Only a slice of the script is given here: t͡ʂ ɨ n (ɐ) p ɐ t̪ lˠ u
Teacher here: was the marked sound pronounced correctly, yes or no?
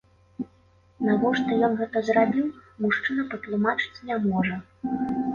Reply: yes